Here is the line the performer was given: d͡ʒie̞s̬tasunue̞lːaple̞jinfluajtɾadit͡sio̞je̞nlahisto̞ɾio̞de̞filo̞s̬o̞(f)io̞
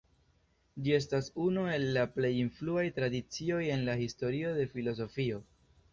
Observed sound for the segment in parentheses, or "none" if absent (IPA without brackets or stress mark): f